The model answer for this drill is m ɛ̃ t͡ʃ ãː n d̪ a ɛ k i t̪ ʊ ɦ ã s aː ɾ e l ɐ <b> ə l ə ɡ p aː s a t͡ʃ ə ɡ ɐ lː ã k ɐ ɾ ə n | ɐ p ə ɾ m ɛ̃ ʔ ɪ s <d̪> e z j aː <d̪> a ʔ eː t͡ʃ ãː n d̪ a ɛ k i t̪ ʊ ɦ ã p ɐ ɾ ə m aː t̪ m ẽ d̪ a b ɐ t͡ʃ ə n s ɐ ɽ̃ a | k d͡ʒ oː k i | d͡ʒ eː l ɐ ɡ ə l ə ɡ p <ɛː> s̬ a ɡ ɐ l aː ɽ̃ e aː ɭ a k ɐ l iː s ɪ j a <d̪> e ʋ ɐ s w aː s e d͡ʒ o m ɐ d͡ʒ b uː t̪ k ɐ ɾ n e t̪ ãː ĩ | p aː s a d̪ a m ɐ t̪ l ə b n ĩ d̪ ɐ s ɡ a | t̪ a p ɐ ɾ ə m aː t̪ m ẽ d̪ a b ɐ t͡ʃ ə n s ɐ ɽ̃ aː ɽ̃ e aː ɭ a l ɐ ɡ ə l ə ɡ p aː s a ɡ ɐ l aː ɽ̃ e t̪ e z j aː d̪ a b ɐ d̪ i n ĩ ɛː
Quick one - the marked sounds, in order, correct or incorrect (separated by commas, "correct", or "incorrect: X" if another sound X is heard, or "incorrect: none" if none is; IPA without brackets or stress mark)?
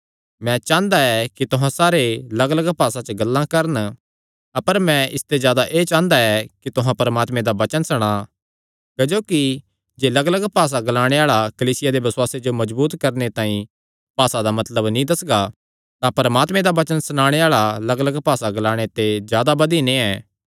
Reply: incorrect: ɡ, incorrect: t̪, correct, incorrect: aː, correct